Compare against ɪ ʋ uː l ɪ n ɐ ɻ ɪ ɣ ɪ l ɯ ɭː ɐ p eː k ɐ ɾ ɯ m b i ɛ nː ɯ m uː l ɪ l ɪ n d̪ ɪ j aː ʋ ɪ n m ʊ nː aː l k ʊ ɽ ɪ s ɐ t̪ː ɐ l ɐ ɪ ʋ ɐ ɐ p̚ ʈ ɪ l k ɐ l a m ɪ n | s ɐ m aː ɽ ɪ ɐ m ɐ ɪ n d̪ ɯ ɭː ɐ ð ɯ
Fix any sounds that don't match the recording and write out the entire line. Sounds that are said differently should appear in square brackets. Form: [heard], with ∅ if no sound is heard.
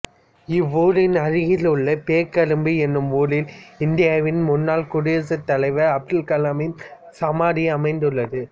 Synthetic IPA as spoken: ɪ ʋ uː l ɪ n ɐ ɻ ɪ ɣ ɪ l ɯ ɭː ɐ p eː k ɐ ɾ ɯ m b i ɛ nː ɯ m uː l ɪ l ɪ n d̪ ɪ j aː ʋ ɪ n m ʊ nː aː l k ʊ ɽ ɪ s ɐ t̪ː ɐ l ɐ ɪ ʋ ɐ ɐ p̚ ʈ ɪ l k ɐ l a m ɪ n | s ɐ m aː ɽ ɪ ɐ m ɐ ɪ n d̪ ɯ ɭː ɐ ð ɯ